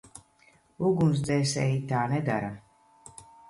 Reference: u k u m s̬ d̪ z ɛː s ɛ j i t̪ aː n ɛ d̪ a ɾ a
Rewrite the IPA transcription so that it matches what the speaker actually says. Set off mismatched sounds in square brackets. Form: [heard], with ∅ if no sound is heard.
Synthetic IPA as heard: u [ɡ] u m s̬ d̪ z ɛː s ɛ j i t̪ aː n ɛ d̪ a ɾ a